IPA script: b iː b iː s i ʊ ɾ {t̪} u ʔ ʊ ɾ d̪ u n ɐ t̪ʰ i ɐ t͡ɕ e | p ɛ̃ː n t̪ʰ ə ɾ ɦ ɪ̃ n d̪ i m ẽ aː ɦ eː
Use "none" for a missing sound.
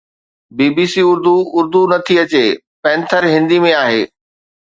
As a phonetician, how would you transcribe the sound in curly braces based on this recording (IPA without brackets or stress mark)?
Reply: d̪